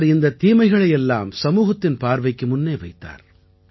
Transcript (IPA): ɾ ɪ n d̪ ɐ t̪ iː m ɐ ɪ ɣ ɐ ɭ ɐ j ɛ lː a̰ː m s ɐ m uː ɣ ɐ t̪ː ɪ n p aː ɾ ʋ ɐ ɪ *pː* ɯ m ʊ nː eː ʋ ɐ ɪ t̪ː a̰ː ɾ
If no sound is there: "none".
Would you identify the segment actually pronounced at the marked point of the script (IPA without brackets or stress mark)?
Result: kː